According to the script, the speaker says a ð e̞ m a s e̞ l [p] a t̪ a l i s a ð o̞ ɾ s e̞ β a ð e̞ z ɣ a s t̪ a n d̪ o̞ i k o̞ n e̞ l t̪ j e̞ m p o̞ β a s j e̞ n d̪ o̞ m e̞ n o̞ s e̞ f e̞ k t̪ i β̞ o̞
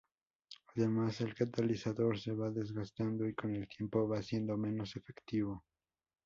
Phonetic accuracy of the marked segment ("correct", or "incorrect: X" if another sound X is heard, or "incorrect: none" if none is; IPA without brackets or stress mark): incorrect: k